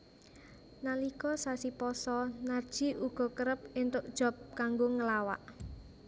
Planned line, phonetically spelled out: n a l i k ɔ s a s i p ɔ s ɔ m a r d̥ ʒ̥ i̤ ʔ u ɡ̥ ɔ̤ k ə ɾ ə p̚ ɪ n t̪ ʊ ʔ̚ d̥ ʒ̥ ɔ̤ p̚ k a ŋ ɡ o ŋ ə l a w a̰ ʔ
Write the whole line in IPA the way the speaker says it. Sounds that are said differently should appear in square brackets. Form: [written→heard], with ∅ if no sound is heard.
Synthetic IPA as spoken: n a l i k ɔ s a s i p ɔ s ɔ [m→n] a r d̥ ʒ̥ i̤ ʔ u ɡ̥ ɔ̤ k ə ɾ ə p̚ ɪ n t̪ ʊ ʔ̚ d̥ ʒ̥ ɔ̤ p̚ k a ŋ ɡ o ŋ ə l a w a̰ ʔ